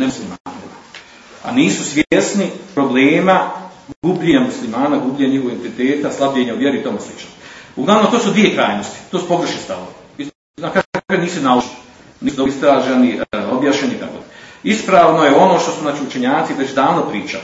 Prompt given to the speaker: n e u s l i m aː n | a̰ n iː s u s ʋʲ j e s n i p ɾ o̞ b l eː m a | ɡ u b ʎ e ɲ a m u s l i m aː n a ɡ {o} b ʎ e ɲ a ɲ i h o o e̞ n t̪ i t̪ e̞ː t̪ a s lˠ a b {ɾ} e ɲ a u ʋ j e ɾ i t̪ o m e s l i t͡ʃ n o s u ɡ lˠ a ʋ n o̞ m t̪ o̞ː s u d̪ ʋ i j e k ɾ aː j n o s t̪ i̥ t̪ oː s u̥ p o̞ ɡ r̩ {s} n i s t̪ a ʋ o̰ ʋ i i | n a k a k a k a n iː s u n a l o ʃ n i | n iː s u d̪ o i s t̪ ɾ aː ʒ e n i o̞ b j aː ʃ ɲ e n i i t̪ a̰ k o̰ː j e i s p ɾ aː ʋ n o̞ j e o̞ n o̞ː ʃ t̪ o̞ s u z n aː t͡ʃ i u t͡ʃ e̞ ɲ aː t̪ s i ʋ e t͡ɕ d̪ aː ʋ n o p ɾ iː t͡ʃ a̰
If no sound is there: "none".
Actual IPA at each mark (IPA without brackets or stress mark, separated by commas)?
u, ʎ, ʃ